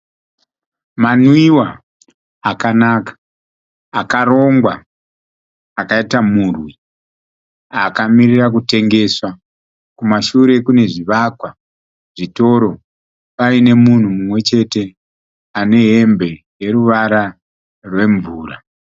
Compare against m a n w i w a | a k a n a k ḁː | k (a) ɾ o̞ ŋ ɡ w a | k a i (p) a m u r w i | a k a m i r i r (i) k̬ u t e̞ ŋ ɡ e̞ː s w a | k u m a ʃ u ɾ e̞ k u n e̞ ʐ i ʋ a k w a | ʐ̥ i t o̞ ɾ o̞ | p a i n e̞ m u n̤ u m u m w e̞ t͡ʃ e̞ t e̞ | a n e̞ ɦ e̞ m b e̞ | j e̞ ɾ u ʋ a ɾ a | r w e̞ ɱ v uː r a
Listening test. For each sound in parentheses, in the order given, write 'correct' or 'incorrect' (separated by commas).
correct, incorrect, incorrect